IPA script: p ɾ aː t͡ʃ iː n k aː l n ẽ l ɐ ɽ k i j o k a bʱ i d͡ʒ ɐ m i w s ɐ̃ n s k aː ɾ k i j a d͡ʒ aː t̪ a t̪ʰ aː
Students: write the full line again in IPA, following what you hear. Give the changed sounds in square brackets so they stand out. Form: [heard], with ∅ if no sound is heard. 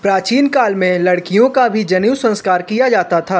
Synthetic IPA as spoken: p ɾ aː t͡ʃ iː n k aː l [m] ẽ l ɐ ɽ k i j [õ] k a bʱ i d͡ʒ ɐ [n] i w s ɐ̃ n s k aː ɾ k i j a d͡ʒ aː t̪ a t̪ʰ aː